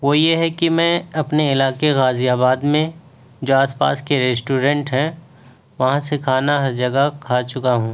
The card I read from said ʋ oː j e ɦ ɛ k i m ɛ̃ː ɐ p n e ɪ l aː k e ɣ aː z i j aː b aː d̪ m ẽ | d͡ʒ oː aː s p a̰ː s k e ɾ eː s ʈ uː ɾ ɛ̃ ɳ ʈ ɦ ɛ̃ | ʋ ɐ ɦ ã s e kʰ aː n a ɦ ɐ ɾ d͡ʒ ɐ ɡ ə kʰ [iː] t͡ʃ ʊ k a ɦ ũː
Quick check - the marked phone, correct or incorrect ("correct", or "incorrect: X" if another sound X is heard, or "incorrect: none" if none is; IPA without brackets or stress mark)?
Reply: incorrect: aː